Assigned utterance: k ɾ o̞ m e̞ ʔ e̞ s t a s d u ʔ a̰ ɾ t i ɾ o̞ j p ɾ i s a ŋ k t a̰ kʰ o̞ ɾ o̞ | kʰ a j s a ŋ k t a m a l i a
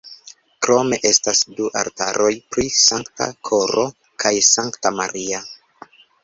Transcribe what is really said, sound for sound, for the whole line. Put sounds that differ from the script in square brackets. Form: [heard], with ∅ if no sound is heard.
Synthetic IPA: k ɾ o̞ m e̞ ʔ e̞ s t a s d u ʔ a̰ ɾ t [a] ɾ o̞ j p ɾ i s a ŋ k t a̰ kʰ o̞ ɾ o̞ | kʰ a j s a ŋ k t a m a [ɾ] i a